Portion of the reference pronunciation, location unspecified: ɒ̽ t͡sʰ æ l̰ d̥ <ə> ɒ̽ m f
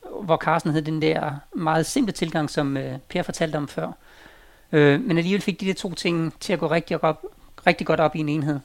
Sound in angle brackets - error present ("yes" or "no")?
no